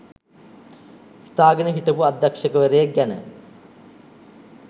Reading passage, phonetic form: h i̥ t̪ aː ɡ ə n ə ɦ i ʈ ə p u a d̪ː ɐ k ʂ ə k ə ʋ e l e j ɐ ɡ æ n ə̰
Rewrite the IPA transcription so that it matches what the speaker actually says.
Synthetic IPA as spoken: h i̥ t̪ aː ɡ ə n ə ɦ i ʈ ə p u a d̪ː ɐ k ʂ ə k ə ʋ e ɾ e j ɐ ɡ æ n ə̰

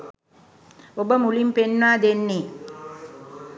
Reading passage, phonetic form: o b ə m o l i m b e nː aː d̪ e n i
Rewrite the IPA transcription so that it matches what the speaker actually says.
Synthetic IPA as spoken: o b ə m u l i m p e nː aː d̪ e nː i

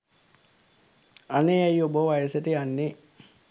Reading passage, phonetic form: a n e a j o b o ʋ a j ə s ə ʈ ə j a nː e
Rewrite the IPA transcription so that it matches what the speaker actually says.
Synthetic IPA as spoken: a n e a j o b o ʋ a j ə s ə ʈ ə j a nː e

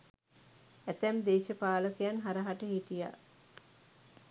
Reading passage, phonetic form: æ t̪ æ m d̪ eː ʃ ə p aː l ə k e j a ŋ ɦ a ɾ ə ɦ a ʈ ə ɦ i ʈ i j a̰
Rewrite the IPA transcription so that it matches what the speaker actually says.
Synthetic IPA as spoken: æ t̪ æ m d̪ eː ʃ ə p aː l ə k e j a n ɦ a ɾ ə ɦ a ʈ ə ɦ i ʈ i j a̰

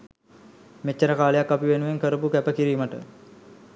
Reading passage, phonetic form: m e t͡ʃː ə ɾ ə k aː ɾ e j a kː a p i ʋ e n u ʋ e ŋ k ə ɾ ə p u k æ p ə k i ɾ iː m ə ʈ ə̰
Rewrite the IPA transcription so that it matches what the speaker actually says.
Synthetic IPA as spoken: m e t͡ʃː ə ɾ ə k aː l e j a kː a p i ʋ e n u ʋ e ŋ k ə ɾ ə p u k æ p ə k i ɾ iː m ə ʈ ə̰

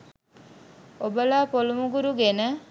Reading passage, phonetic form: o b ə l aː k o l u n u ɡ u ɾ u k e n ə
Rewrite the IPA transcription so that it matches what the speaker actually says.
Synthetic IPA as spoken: o b ə l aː p o l u m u ɡ u ɾ u ɡ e n ə

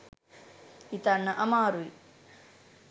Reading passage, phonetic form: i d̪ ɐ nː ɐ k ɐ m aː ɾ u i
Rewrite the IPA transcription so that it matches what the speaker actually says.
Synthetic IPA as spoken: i t̪ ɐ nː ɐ ʔ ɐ m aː ɾ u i

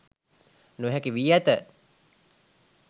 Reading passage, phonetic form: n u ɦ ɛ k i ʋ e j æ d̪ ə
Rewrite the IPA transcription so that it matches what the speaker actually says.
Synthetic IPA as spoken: n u ɦ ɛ k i ʋ i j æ t̪ ə

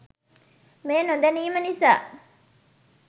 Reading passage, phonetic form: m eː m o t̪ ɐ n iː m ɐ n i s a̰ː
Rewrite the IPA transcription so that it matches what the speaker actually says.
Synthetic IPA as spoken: m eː n o d̪ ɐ n iː m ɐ n i s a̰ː

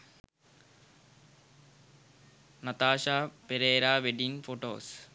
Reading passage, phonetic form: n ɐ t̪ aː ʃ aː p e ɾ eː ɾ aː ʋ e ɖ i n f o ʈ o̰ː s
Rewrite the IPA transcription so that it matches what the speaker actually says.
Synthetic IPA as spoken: n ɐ t̪ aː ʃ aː p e ɾ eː ɾ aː ʋ e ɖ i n f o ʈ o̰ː s

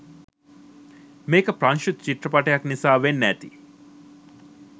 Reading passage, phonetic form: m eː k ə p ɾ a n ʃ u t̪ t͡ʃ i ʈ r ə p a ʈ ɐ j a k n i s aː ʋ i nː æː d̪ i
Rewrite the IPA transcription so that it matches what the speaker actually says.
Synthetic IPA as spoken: m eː k ə p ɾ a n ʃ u t̪ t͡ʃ i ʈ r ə p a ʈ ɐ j a k n i s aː ʋ e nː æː t̪ i

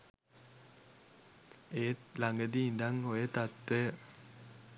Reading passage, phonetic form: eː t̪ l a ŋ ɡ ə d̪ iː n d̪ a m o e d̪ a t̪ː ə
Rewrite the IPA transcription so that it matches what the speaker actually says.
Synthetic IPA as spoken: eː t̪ l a ŋ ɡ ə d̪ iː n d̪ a ŋ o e t̪ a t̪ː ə

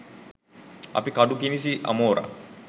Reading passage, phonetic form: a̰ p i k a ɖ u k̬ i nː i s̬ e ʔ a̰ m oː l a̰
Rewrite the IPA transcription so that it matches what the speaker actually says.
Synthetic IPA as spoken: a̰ p i k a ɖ u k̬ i n i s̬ i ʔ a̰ m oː ɾ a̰

